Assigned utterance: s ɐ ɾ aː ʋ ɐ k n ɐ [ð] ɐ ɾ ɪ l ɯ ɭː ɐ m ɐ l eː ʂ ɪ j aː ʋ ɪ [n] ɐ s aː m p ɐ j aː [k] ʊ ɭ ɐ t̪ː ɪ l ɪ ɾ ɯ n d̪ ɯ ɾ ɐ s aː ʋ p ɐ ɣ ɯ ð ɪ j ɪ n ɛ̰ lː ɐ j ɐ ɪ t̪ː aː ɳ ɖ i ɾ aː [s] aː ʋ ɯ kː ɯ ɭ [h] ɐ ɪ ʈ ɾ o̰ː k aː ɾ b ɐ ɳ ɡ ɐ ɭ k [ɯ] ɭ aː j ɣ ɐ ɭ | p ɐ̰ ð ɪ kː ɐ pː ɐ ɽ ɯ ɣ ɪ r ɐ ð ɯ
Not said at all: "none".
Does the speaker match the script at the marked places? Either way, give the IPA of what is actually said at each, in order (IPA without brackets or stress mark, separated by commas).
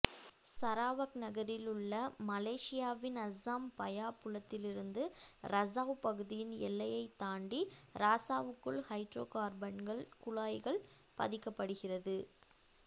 ɣ, n, p, s, h, ʊ